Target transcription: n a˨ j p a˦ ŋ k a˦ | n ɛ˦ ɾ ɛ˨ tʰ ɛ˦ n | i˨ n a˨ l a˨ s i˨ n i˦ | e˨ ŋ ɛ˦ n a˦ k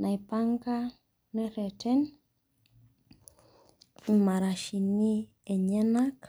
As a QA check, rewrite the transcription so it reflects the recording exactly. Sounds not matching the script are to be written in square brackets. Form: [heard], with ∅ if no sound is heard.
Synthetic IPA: n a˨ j p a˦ ŋ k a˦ | n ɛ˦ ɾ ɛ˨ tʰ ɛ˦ n | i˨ [m] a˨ [ɾ] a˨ [ʃ] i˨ n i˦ | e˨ [ɲ] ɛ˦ n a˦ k

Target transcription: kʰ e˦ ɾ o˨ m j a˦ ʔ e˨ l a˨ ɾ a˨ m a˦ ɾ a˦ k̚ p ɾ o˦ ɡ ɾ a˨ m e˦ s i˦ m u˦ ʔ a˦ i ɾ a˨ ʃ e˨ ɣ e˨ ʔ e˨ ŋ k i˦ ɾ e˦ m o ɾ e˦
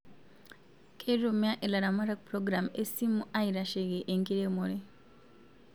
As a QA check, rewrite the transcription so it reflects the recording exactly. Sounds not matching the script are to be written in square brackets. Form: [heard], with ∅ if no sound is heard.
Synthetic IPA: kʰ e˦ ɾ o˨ m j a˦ ʔ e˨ l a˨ ɾ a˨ m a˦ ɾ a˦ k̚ p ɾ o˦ ɡ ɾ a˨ m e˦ s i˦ m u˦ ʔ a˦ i ɾ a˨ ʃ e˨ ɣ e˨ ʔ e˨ ŋ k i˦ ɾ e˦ m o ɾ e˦

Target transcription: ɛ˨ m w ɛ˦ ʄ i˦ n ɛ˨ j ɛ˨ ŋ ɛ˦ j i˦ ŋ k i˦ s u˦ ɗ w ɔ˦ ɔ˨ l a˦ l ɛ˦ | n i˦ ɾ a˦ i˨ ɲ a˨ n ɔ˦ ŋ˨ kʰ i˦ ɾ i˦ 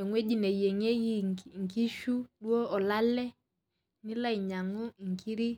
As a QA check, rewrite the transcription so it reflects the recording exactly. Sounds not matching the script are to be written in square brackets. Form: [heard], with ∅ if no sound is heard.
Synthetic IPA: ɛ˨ [ŋ] w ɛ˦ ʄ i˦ n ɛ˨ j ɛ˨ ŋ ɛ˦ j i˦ ŋ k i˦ [ʃ] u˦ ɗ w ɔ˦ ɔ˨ l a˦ l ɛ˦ | n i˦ [l] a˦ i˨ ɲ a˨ [ŋ] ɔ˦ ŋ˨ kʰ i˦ ɾ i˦

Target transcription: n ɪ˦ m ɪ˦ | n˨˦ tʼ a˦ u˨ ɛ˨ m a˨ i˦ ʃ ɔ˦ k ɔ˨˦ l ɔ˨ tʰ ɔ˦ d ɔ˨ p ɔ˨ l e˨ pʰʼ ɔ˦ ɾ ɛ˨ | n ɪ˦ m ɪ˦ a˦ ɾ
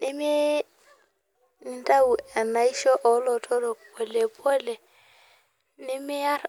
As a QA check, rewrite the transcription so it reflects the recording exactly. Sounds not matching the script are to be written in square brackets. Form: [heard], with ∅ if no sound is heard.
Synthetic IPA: n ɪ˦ m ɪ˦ | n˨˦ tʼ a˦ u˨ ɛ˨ [n] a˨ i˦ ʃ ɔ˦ [ʔ] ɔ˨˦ l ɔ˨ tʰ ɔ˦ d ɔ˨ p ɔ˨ l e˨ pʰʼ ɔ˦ [l] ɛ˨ | n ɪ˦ m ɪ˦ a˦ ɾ

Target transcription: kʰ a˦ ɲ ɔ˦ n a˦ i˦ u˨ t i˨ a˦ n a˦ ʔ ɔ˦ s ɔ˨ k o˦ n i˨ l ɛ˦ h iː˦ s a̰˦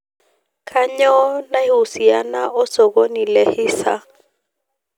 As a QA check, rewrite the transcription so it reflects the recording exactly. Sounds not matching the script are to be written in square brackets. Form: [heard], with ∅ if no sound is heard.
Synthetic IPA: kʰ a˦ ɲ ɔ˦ n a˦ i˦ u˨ [s] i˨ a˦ n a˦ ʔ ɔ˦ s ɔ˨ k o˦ n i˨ l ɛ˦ h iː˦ s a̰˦

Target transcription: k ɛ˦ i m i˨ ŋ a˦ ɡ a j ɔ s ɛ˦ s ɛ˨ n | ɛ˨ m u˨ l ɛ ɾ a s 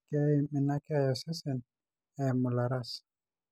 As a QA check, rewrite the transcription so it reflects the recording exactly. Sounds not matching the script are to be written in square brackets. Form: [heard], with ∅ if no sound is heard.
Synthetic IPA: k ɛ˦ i m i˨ [n] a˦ [k] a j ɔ s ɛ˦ s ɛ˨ n | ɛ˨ m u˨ l [a] ɾ a s

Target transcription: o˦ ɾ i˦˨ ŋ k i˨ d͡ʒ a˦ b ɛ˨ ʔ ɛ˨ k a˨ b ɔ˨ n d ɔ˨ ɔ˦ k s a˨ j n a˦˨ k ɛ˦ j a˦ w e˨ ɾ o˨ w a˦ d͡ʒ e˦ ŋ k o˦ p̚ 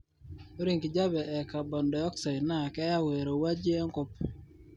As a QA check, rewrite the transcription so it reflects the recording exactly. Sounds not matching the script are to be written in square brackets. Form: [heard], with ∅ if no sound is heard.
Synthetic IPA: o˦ ɾ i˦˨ ŋ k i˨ d͡ʒ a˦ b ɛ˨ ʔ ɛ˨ k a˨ b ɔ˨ n d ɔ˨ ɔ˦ k s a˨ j n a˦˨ k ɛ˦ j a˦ w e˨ ɾ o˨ w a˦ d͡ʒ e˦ ŋ k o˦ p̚

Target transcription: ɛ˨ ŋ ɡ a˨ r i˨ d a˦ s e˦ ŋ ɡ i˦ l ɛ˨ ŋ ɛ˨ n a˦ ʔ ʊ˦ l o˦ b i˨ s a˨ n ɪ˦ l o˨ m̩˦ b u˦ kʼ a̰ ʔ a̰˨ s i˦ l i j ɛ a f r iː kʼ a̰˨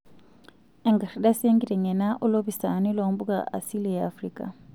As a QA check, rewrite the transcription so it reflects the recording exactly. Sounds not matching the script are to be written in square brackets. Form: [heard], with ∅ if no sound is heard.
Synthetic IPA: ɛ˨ ŋ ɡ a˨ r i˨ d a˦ s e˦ ŋ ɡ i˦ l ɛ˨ ŋ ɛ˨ n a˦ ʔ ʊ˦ l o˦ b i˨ s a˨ n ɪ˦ l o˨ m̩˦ b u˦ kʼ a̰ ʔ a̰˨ s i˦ l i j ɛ a f r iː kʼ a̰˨

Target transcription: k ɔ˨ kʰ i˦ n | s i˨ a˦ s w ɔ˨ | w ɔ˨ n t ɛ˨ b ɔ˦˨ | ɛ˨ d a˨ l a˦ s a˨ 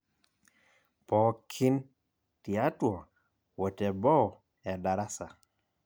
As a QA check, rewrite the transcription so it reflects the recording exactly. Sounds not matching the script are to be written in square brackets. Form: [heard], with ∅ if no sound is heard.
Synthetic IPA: [p] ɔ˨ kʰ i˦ n | [t] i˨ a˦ [t] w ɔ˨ | w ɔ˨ [∅] t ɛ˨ b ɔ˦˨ | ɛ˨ d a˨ [ɾ] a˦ s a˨

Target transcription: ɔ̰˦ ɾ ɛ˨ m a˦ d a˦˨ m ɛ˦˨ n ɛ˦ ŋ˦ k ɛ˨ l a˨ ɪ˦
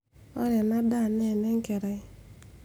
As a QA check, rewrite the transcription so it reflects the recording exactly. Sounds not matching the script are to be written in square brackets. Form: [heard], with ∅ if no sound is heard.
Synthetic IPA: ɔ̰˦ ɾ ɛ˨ [n] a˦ d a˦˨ [n] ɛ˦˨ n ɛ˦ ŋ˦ k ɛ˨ [ɾ] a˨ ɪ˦

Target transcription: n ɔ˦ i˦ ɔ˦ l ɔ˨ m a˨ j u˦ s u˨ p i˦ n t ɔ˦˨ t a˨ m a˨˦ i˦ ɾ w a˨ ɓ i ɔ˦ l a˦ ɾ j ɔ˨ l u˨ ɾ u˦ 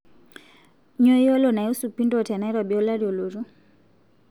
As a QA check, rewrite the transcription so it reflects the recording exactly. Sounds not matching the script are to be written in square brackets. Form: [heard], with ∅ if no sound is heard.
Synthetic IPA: [ɲ] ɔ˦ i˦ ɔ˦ l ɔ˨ [n] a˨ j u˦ s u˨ p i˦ n [d] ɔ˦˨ t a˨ [n] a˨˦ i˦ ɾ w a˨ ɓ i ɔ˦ l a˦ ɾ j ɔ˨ l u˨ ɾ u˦

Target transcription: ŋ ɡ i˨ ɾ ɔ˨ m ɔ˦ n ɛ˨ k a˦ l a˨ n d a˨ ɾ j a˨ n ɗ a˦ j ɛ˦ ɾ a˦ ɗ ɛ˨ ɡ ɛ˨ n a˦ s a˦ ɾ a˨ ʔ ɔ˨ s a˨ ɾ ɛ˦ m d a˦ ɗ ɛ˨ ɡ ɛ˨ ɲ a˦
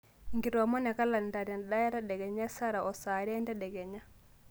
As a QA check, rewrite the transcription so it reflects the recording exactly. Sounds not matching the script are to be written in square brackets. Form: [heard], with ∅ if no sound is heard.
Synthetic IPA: ŋ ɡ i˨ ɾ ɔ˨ m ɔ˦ n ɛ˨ k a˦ l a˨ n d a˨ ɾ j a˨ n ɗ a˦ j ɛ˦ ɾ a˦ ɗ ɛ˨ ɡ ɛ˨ [ɲ] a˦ s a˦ ɾ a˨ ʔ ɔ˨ s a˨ ɾ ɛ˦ [n] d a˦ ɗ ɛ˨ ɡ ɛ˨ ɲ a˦

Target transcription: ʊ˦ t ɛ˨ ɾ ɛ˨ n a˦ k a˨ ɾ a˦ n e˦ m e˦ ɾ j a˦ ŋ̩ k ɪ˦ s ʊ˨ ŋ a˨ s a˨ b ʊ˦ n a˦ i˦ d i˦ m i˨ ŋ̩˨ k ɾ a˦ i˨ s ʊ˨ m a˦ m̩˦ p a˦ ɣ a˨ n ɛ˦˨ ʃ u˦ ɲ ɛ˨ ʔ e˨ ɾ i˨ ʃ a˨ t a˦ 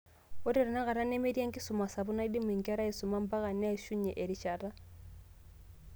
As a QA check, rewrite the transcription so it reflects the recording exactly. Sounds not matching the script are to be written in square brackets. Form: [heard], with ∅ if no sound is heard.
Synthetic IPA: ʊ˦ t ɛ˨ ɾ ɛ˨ n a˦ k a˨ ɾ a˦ n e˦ m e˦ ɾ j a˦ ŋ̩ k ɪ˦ s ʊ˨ [m] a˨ s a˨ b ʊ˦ n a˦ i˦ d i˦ m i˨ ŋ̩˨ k ɾ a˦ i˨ s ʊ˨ m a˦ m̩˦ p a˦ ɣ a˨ n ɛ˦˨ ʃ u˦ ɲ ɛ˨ ʔ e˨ ɾ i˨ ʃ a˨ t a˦

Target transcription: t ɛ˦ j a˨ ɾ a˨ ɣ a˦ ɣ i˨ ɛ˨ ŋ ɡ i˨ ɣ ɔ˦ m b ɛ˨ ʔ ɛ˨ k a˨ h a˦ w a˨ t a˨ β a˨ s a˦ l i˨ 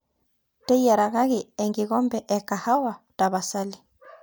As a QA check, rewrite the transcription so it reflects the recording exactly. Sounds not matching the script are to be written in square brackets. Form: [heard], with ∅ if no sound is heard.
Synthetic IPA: t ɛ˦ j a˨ ɾ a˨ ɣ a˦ ɣ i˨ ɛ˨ ŋ ɡ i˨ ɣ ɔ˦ m b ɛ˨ ʔ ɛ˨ k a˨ h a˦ w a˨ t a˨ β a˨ s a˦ l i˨

